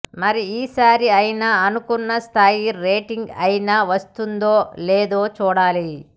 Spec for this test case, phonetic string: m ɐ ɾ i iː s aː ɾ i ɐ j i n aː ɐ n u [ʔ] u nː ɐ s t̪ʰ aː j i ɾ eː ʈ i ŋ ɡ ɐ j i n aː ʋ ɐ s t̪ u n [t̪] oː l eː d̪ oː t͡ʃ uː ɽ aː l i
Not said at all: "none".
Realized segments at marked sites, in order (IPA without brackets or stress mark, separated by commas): k, d̪